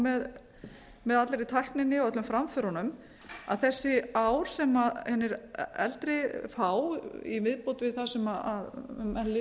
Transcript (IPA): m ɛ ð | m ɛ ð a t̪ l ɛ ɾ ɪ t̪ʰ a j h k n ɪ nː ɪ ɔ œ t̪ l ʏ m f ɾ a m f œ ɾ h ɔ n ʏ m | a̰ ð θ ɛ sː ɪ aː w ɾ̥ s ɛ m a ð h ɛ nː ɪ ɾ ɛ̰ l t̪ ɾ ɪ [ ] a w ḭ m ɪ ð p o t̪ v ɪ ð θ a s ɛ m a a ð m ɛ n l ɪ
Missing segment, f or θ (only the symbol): f